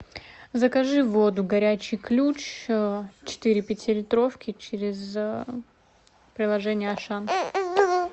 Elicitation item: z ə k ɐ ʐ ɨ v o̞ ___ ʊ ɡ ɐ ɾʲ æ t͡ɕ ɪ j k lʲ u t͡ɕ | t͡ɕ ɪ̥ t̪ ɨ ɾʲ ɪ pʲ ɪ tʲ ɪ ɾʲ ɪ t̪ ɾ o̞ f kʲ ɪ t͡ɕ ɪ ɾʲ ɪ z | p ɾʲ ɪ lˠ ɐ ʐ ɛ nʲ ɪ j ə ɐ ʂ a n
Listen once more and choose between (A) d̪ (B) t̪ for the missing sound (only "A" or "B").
A